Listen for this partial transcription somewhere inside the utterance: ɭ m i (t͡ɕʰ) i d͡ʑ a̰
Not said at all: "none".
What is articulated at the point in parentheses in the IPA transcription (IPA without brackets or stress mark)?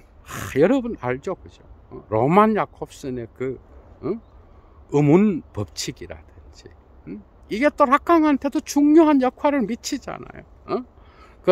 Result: t͡ɕʰ